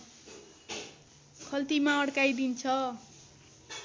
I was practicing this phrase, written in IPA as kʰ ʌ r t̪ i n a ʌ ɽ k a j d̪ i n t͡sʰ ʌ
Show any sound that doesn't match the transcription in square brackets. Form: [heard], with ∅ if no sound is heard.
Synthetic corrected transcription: kʰ ʌ [l] t̪ i [m] a ʌ ɽ k a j d̪ i n t͡sʰ ʌ